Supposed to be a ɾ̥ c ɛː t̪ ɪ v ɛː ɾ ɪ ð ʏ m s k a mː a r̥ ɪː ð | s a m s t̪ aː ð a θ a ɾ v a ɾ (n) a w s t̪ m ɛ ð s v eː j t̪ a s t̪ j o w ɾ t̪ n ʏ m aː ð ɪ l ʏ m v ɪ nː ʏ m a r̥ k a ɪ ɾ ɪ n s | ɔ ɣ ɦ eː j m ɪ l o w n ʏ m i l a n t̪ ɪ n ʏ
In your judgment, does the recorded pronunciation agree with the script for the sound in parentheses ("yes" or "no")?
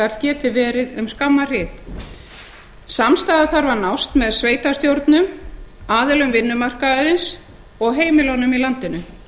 yes